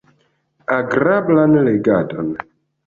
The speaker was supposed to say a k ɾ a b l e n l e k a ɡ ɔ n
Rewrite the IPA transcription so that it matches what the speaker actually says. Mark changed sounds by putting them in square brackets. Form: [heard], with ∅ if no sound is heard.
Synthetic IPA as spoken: a [ɡ] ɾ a b l [a] n l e [ɡ] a [d] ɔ n